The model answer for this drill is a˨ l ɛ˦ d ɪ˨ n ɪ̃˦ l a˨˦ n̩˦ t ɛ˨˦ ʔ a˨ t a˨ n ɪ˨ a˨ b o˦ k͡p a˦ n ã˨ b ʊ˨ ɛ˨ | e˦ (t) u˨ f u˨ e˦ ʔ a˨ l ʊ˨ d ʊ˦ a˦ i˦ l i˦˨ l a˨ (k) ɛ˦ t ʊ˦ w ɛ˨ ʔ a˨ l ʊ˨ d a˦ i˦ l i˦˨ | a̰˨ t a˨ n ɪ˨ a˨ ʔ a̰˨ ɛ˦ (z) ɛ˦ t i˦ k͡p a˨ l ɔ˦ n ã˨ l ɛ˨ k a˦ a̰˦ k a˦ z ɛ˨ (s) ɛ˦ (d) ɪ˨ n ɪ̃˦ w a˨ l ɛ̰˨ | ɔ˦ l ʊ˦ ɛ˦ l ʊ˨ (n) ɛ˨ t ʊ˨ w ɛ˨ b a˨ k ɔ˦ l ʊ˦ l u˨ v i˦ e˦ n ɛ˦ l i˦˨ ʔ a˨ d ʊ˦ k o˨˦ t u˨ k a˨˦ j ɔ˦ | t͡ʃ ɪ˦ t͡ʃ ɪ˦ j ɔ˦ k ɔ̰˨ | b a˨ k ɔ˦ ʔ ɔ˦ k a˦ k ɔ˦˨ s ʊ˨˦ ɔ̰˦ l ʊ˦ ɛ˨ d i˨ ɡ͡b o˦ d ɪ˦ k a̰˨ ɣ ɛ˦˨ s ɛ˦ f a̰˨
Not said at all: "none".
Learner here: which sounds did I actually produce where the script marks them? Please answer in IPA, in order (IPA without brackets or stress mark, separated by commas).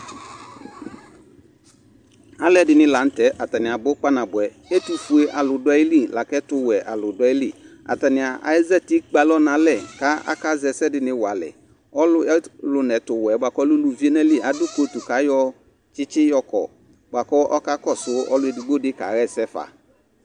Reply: t, k, z, s, d, n